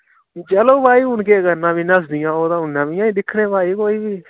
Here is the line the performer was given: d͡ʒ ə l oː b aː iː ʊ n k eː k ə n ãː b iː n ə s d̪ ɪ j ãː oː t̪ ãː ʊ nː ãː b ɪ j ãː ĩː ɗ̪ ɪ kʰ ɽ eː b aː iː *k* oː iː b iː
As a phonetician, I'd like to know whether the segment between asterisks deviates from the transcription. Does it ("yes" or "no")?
no